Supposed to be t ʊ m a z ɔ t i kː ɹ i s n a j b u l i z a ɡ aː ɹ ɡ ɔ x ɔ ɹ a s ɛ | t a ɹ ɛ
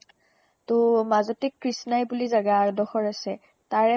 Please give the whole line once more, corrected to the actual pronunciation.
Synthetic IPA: t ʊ m a z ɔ t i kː ɹ i s n a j b u l i z a ɡ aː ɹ d ɔ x ɔ ɹ a s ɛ | t a ɹ ɛ